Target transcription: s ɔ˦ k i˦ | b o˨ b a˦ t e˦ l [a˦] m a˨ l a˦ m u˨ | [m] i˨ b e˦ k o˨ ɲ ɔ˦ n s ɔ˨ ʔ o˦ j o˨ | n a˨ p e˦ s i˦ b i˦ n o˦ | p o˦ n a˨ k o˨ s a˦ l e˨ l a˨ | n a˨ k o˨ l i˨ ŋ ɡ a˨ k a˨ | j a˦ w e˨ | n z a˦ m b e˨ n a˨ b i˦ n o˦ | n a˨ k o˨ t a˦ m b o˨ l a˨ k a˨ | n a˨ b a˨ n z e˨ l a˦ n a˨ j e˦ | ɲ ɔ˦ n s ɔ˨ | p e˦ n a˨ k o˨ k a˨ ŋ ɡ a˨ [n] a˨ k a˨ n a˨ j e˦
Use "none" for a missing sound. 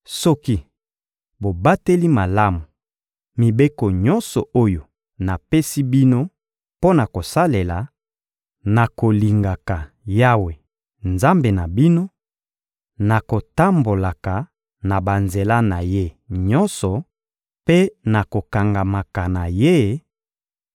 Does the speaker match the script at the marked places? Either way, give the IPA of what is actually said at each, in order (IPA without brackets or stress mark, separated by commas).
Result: i˦, m, m